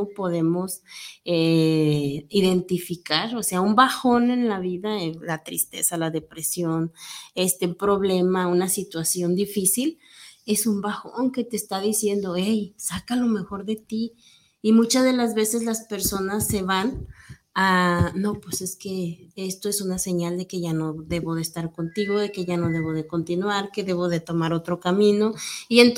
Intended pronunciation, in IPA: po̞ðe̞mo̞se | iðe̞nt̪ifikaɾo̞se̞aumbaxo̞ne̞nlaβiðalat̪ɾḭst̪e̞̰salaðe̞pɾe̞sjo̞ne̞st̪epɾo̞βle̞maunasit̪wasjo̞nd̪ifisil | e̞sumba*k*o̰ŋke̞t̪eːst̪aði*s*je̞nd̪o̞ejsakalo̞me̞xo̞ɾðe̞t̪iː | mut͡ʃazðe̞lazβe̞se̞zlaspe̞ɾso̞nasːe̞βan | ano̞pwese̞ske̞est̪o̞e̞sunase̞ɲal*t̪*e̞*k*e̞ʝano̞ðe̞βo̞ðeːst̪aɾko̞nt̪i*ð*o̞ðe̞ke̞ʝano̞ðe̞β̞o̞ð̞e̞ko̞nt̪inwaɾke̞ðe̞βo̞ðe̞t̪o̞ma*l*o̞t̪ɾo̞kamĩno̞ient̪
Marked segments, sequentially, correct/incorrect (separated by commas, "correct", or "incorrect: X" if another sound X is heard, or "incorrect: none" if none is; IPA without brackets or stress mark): incorrect: x, correct, incorrect: d̪, correct, incorrect: ɣ, incorrect: ɾ